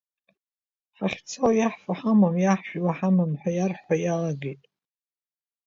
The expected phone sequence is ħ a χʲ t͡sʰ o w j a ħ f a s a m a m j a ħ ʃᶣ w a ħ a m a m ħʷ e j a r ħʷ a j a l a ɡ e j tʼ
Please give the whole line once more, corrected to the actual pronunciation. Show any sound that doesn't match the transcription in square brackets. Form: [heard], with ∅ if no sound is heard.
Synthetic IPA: ħ a χʲ t͡sʰ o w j a ħ f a [ħ] a m a m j a ħ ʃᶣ w a ħ a m a m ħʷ [a] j a r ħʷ a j a l a ɡ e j tʼ